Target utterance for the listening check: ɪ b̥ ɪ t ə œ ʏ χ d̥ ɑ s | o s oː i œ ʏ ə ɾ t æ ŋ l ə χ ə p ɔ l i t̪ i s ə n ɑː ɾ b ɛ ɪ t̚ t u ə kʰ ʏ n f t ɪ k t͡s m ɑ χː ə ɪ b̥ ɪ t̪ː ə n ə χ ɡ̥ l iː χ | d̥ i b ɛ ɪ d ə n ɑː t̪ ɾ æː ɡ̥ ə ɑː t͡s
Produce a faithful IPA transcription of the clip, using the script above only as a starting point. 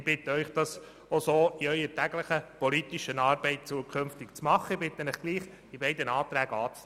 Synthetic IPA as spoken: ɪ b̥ ɪ t ə œ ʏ χ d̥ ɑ s | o s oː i œ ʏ ə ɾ t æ ɡ l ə χ ə p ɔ l i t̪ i ʃ ə n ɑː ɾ b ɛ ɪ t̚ t͡s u ə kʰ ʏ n f t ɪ k t͡s m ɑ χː ə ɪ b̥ ɪ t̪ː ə n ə χ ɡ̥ l iː χ | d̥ i b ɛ ɪ d ə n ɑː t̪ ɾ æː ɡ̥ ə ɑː t͡s